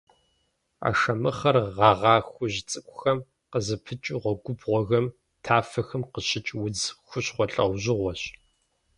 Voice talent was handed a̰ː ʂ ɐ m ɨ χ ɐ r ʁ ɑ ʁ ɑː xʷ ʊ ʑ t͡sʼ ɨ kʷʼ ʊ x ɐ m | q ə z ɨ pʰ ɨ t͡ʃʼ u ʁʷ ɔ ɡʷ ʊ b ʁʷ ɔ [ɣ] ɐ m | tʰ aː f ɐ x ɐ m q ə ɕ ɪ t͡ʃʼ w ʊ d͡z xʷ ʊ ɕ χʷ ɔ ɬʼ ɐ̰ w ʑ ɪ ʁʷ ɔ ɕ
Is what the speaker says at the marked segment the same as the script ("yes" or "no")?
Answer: yes